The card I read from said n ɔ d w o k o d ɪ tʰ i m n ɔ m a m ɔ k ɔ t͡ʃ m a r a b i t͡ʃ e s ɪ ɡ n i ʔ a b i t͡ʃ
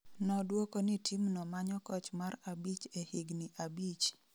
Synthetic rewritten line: n ɔ d w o k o n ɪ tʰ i m n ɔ m a ɲ ɔ k ɔ t͡ʃ m a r a b i t͡ʃ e h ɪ ɡ n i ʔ a b i t͡ʃ